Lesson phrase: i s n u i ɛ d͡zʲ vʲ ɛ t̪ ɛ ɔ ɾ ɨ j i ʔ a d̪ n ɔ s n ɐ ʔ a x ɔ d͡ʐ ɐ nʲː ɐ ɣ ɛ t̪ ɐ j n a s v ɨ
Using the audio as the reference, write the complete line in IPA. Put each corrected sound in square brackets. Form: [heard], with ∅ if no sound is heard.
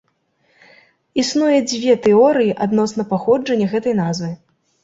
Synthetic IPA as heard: i s n u [j] ɛ d͡zʲ vʲ ɛ t̪ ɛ ɔ ɾ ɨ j i ʔ a d̪ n ɔ s n ɐ [p] a x ɔ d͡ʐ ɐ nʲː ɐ ɣ ɛ t̪ ɐ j n a [z] v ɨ